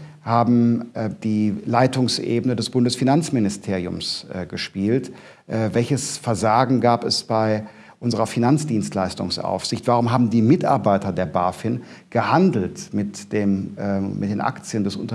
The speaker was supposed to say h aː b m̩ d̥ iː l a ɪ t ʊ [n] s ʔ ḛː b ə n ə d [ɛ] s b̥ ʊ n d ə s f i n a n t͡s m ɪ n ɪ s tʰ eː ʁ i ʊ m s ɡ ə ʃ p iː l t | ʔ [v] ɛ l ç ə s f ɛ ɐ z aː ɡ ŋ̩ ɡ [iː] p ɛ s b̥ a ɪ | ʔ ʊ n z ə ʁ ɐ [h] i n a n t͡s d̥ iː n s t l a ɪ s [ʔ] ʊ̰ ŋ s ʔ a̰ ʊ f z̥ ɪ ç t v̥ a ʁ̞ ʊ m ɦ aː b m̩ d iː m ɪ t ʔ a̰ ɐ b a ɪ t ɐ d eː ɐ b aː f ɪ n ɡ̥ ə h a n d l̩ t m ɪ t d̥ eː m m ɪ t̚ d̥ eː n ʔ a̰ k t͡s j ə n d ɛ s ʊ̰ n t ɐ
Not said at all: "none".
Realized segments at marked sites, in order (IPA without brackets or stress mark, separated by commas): ŋ, ɛ, v, aː, f, t